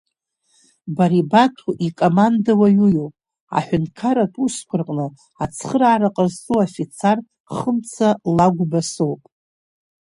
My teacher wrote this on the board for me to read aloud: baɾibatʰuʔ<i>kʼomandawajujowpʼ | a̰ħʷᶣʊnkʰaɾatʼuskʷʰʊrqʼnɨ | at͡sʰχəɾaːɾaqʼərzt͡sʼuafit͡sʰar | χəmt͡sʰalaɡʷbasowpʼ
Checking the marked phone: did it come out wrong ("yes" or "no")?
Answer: no